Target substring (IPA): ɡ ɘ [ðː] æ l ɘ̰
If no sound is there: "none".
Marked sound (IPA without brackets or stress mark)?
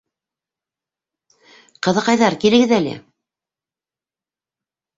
ð